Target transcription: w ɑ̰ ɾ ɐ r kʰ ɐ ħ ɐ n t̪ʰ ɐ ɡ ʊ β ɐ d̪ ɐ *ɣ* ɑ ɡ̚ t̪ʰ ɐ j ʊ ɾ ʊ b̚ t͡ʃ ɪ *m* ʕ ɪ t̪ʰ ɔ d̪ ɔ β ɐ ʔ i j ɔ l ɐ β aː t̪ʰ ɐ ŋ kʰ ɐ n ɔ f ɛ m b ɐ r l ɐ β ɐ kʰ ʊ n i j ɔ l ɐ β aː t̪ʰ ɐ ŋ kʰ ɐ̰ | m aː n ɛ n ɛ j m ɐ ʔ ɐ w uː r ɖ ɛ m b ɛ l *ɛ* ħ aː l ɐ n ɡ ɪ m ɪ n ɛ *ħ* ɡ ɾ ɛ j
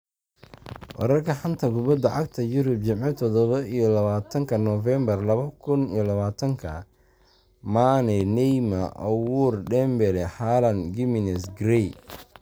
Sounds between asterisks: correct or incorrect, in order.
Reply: incorrect: ʕ, correct, correct, incorrect: s

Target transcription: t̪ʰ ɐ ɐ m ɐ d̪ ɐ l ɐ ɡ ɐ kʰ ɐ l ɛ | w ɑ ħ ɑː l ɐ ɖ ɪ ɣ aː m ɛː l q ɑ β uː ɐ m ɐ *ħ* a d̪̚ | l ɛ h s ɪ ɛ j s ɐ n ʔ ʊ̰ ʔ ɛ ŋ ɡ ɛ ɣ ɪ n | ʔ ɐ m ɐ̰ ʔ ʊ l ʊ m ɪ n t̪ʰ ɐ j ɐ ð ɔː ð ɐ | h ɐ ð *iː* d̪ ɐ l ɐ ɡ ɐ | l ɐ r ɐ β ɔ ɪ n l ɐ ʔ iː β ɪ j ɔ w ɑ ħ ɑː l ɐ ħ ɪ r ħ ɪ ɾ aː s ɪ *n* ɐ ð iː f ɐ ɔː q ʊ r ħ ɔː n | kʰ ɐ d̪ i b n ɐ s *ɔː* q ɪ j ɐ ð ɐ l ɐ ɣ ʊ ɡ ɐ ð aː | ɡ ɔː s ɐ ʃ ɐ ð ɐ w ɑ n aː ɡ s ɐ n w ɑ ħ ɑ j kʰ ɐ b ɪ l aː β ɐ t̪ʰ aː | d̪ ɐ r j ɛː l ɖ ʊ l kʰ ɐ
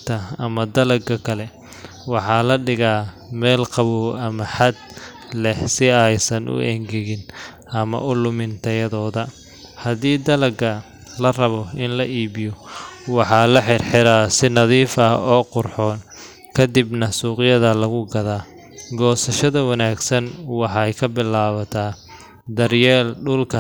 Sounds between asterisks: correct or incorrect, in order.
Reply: correct, correct, correct, incorrect: uː

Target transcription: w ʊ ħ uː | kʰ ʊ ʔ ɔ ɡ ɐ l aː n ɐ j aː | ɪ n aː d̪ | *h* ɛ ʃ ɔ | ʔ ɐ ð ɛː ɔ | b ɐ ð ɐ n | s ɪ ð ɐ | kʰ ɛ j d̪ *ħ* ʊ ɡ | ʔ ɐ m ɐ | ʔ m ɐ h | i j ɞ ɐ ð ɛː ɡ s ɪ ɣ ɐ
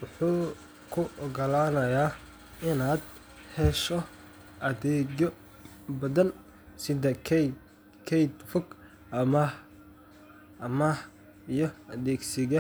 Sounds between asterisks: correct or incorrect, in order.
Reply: correct, incorrect: f

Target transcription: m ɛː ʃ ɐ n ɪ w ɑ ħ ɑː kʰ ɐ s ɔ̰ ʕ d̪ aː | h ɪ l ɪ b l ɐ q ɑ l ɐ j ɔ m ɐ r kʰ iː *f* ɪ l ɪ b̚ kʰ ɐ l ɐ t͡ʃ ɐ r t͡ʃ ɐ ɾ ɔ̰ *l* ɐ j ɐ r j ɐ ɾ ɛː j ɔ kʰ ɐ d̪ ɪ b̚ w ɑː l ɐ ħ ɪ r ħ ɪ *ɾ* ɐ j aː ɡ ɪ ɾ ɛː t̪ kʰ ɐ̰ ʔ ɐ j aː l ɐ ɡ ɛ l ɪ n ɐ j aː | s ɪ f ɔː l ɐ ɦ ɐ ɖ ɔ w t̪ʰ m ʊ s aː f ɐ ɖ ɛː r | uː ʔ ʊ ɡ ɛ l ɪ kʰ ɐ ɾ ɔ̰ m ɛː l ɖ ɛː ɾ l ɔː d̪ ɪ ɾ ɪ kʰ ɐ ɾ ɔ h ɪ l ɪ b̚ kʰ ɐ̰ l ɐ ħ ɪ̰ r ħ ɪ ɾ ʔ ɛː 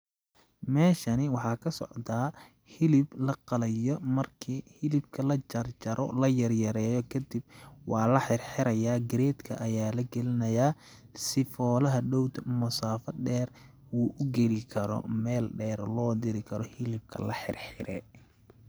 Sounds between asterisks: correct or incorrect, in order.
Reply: incorrect: h, correct, correct

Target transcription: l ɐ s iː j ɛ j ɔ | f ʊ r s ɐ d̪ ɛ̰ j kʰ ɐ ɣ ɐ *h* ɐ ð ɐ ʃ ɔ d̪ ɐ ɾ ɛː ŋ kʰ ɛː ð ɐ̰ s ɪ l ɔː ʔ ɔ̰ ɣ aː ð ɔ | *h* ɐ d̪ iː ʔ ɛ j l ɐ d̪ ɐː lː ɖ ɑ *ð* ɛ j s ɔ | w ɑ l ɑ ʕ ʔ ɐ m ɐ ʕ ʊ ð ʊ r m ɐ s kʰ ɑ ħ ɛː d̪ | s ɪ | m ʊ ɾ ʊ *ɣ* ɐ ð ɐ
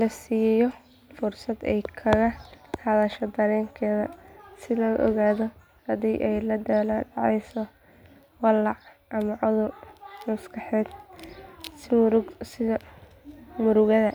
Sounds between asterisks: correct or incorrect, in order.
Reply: correct, correct, incorrect: ʕ, correct

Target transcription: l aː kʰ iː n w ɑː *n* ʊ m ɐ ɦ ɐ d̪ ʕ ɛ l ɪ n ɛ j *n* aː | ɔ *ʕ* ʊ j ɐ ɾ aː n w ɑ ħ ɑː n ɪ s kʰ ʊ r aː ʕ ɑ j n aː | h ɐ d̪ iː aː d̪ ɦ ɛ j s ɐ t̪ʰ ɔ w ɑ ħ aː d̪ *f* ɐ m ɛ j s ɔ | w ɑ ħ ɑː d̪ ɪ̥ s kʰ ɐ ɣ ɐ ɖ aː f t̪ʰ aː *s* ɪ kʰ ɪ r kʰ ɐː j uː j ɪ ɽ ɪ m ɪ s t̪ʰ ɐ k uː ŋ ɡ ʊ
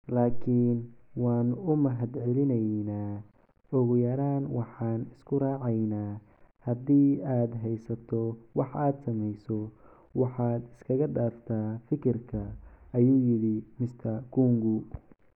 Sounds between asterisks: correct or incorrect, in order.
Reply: correct, correct, incorrect: ɣ, incorrect: s, incorrect: f

